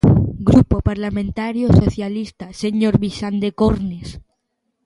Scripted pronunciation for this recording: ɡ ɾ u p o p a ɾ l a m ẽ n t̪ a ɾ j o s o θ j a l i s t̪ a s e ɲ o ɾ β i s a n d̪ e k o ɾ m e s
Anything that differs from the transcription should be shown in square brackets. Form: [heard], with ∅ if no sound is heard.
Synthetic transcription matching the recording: ɡ ɾ u p o p a ɾ l a m ẽ n t̪ a ɾ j o s o θ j a l i s t̪ a s e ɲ o ɾ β i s a n d̪ e k o ɾ [n] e s